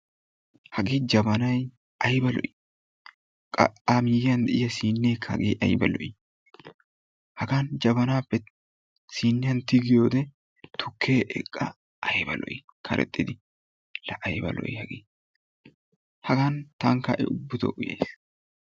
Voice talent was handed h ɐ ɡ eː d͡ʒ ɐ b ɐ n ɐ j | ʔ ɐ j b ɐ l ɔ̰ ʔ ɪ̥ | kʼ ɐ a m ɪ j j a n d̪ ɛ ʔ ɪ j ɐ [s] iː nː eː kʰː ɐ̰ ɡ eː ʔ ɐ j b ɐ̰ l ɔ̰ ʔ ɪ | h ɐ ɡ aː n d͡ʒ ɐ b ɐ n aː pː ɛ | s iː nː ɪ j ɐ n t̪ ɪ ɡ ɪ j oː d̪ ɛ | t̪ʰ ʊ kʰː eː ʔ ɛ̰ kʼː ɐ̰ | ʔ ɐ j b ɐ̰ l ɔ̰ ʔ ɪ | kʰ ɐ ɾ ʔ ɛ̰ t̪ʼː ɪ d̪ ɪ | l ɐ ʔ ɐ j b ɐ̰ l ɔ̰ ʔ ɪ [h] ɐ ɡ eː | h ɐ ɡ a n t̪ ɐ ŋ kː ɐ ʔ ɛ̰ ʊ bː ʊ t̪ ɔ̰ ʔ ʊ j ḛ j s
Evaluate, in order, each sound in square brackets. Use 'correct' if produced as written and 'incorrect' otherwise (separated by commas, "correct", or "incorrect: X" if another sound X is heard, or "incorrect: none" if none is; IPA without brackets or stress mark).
correct, correct